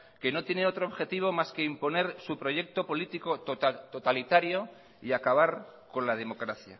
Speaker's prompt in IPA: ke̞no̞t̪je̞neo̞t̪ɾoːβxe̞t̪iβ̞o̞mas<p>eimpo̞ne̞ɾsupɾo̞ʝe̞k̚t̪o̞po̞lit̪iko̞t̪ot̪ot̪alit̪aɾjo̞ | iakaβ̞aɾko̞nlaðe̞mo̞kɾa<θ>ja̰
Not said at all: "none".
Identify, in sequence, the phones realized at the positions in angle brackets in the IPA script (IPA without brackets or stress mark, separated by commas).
k, θ